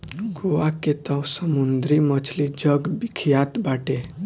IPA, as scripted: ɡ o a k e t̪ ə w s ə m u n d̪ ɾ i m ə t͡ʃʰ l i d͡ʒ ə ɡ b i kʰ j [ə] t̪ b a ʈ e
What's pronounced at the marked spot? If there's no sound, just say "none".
a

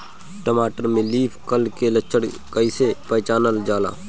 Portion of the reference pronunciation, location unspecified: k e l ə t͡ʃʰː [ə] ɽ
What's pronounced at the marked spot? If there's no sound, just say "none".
ə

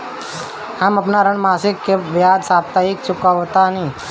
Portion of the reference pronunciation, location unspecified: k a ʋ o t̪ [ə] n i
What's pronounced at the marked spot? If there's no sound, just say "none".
a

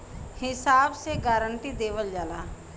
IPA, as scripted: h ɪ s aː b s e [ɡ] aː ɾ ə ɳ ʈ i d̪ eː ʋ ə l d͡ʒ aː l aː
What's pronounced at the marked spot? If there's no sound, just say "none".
ɡ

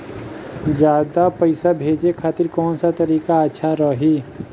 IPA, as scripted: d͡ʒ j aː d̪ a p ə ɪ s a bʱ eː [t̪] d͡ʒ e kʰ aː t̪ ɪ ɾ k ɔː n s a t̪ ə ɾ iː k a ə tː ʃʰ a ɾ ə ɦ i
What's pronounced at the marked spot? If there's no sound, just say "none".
none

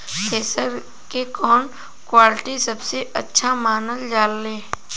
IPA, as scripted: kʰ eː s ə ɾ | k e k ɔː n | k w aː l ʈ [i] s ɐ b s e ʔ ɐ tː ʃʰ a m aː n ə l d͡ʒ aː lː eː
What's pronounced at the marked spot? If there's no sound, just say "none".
i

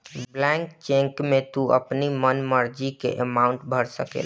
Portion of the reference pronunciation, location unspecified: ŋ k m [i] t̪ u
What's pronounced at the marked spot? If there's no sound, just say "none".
e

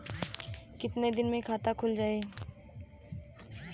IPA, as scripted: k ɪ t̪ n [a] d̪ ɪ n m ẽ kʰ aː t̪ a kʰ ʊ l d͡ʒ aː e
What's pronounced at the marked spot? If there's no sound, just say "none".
e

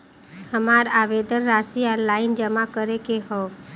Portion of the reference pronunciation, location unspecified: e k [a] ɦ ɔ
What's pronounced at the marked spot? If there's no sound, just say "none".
e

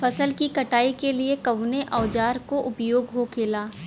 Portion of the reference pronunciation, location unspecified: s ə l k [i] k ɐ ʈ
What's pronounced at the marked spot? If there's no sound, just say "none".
i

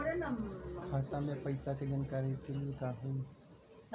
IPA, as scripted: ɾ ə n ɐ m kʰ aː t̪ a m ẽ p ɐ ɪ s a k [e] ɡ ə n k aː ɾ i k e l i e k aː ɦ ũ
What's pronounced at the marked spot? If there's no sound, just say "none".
e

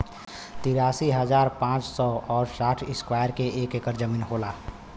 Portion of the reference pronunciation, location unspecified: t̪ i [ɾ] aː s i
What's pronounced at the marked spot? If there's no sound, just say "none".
ɾ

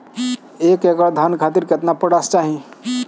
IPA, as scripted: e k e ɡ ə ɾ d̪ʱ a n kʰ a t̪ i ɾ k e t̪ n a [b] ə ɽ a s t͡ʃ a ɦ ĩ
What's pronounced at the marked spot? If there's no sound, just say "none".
p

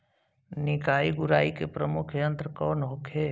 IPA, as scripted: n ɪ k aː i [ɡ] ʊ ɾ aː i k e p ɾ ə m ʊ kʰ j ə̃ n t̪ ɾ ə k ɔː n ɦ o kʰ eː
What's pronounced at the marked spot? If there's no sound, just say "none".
ɡ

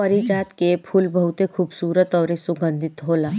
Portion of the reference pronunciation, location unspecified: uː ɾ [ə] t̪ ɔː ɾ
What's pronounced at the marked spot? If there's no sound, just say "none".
ə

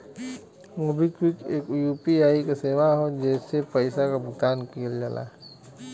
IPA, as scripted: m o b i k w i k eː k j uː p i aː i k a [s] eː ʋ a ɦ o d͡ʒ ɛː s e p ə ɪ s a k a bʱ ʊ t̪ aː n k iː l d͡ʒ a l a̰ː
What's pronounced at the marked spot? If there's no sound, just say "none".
s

